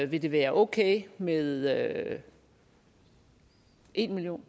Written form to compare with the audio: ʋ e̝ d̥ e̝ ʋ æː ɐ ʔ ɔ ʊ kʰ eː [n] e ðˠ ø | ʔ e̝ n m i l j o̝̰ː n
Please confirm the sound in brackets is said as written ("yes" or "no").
no